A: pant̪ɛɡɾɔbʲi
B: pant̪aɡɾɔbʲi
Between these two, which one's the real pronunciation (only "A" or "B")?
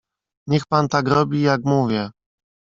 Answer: B